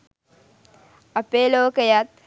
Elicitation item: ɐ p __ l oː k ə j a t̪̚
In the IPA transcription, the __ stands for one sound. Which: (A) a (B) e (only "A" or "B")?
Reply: B